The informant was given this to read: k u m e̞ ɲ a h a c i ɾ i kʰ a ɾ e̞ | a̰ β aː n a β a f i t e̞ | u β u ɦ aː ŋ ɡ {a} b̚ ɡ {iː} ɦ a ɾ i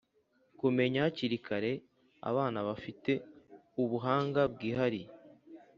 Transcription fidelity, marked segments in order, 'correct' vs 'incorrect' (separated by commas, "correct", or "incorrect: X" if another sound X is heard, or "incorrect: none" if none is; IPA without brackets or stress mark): correct, correct